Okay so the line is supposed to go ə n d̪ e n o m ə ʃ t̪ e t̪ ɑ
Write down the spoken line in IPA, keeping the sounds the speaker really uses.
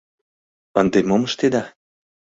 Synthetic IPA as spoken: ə n d̪ e m o m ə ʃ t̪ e d̪ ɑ